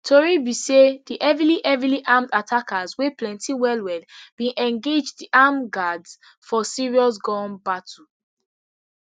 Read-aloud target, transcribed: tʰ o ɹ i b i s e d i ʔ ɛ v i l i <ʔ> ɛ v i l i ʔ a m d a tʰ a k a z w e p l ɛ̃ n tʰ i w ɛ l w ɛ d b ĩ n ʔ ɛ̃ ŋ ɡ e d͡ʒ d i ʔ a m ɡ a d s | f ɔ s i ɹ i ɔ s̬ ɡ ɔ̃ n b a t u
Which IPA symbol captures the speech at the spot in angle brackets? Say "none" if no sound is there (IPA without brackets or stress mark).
ʔ